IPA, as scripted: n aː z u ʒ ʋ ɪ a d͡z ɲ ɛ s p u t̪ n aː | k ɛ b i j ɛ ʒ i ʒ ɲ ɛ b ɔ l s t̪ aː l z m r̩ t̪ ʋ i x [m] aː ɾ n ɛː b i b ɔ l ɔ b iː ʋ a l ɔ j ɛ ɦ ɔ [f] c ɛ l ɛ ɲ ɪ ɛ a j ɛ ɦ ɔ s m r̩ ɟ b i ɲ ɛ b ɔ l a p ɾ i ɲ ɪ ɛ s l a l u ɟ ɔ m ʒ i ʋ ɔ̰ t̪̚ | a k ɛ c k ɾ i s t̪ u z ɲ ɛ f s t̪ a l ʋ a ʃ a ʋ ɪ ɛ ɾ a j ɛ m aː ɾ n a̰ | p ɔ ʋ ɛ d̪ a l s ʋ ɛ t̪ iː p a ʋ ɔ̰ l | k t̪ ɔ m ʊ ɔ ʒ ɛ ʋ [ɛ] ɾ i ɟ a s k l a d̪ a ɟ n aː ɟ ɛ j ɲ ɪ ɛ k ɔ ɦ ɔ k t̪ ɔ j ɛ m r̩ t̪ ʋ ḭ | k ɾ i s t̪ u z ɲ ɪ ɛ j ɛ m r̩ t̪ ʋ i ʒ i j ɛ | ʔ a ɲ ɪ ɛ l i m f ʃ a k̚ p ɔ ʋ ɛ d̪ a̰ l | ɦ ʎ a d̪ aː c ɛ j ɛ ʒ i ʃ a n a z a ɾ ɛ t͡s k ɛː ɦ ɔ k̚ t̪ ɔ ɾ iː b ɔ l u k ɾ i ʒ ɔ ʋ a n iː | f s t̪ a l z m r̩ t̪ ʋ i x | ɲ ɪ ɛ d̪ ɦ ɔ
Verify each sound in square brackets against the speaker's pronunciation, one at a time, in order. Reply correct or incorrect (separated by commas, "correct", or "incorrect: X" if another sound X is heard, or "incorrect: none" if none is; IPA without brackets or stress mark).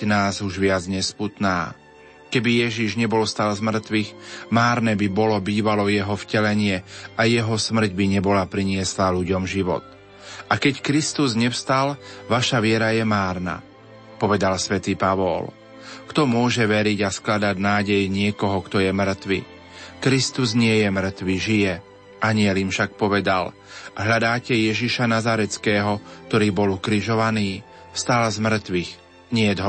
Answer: correct, correct, correct